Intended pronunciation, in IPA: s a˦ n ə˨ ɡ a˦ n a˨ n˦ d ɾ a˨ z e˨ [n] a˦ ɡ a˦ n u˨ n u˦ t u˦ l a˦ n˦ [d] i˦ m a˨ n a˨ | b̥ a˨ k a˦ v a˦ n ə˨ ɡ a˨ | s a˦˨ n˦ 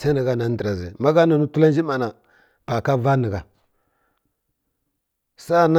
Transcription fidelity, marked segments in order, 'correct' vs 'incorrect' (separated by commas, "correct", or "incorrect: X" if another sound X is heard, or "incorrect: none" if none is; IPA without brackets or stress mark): incorrect: m, incorrect: d͡ʒ